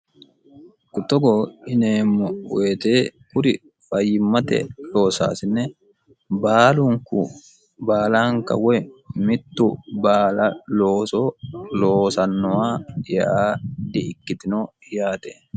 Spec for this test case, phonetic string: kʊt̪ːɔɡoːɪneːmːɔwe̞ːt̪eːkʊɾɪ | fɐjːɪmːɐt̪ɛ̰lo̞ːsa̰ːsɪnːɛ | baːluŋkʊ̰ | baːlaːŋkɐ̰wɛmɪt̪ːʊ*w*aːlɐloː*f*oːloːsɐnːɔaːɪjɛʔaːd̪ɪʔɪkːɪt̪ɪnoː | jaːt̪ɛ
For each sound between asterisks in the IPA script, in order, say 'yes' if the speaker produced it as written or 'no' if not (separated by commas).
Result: no, no